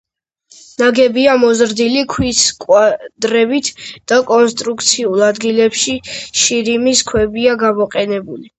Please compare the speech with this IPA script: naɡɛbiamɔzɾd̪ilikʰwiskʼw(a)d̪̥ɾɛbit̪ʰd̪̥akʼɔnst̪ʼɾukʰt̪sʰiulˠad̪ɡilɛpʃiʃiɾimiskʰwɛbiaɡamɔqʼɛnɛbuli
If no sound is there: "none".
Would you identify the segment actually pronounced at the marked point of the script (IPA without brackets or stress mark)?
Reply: a